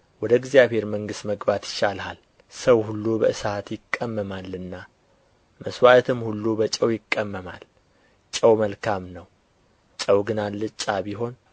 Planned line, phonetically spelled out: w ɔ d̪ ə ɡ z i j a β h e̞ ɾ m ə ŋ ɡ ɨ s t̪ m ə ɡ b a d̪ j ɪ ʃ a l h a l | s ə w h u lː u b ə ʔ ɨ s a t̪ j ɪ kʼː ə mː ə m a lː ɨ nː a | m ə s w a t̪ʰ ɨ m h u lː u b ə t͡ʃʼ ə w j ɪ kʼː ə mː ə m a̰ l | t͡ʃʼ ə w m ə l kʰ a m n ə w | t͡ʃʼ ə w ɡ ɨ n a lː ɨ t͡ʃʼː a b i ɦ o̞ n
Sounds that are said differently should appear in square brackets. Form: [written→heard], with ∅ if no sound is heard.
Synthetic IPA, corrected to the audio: w ɔ d̪ ə ɡ z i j a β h e̞ ɾ m ə ŋ ɡ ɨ s t̪ m ə ɡ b a [d̪→t̪] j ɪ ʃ a l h a l | s ə w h u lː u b ə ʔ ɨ s a t̪ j ɪ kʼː ə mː ə m a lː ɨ nː a | m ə s w a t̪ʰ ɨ m h u lː u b ə t͡ʃʼ ə w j ɪ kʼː ə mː ə m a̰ l | t͡ʃʼ ə w m ə l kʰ a m n ə w | t͡ʃʼ ə w ɡ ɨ n a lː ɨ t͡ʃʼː a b i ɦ o̞ n